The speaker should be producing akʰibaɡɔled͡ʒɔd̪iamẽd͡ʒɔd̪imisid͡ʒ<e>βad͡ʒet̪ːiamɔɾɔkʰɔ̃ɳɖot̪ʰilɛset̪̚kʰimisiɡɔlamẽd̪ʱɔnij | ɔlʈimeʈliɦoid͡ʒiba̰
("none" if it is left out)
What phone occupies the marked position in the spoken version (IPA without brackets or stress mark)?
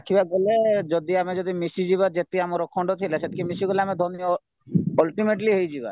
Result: i